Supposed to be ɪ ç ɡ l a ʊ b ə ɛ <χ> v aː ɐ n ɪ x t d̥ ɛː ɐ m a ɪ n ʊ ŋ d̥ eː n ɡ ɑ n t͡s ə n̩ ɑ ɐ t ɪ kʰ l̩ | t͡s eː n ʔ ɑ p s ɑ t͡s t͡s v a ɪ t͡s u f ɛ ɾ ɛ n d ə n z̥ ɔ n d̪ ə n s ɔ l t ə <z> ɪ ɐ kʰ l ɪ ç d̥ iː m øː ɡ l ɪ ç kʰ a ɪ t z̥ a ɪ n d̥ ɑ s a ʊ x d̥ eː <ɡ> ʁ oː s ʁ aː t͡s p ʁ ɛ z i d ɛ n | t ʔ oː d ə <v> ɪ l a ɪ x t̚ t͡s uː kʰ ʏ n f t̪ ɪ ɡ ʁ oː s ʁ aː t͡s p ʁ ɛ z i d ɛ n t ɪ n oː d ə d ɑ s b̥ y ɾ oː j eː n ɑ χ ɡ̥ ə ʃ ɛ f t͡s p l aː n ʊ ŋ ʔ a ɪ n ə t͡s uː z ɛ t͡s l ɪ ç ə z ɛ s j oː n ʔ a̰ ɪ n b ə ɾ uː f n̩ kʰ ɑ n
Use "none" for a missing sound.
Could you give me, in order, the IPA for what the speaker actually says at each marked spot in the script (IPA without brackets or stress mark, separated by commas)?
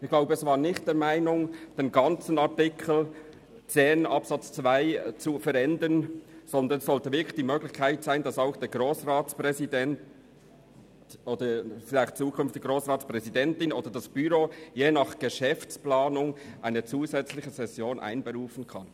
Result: s, v, ɡ, f